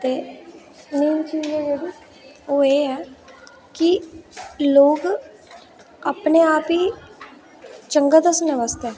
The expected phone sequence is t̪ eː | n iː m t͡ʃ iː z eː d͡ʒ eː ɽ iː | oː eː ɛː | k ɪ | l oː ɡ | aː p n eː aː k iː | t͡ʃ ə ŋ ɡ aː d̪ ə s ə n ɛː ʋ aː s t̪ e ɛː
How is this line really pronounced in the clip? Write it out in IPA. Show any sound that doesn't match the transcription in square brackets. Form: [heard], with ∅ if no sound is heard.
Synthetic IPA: t̪ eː | n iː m t͡ʃ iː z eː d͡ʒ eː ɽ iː | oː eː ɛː | k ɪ | l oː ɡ | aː p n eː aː [p] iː | t͡ʃ ə ŋ ɡ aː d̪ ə s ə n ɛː ʋ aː s t̪ e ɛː